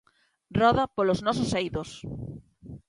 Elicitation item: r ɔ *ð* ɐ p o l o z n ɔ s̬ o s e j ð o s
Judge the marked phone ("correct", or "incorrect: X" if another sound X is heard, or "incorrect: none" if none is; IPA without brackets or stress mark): correct